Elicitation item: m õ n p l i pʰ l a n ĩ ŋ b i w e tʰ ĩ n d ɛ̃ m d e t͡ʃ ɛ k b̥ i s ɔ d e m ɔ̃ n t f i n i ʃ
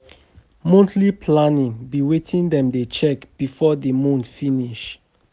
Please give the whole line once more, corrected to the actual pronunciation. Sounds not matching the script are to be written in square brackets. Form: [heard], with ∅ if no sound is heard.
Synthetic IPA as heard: m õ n [t] l i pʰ l a n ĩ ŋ b i w e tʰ ĩ n d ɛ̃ m d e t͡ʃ ɛ k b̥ i [f] ɔ d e m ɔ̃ n t f i n i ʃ